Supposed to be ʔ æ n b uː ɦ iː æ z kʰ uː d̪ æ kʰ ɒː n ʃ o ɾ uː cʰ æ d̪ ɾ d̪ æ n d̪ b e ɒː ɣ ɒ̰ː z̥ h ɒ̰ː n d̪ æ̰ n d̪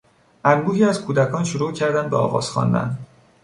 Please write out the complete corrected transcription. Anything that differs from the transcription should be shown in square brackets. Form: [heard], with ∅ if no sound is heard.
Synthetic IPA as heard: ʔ æ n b uː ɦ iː æ z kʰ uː d̪ æ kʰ ɒː n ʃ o ɾ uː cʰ æ [∅] ɾ d̪ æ n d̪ b e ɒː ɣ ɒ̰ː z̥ [x] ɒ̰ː n d̪ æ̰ n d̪